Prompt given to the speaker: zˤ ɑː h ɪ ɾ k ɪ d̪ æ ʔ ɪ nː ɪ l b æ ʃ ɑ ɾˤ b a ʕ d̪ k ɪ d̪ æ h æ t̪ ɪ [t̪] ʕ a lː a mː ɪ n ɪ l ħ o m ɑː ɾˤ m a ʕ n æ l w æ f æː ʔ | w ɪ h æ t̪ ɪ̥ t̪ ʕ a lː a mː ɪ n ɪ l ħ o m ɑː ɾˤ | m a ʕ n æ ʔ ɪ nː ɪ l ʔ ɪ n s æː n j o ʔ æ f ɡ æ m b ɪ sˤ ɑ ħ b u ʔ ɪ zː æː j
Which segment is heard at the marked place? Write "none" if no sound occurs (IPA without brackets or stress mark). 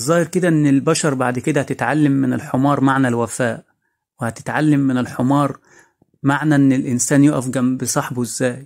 t̪